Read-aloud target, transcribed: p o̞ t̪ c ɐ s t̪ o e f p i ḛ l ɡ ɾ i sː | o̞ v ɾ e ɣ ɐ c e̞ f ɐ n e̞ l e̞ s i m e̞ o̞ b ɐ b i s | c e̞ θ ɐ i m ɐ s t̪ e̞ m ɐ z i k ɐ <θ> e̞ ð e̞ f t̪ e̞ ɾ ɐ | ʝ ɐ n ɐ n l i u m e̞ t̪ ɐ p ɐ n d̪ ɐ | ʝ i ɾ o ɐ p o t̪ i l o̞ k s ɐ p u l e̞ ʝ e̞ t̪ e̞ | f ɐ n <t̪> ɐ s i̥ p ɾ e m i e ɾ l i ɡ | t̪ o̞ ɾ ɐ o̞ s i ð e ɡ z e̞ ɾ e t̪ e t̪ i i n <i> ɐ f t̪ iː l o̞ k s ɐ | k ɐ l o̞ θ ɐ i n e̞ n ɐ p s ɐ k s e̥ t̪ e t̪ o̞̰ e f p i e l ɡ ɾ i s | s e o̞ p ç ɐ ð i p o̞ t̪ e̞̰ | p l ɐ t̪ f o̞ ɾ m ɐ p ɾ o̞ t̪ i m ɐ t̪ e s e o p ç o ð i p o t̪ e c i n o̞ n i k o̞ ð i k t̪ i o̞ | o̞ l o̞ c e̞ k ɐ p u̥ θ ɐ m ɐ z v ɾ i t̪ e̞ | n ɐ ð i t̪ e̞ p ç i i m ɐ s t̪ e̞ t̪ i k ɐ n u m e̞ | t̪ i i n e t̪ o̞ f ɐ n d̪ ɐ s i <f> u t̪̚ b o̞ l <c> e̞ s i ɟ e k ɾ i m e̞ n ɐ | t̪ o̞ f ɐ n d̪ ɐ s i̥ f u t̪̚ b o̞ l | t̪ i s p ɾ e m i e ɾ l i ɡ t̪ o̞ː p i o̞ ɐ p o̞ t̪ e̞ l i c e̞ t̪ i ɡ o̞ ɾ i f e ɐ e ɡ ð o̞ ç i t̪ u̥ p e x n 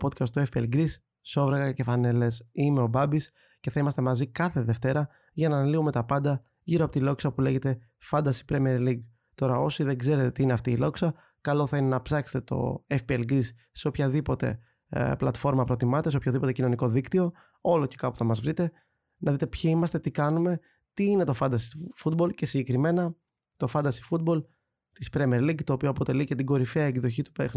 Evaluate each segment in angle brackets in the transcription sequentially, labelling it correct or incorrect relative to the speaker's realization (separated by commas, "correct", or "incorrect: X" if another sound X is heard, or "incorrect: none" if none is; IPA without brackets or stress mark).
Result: correct, incorrect: d̪, incorrect: e, correct, correct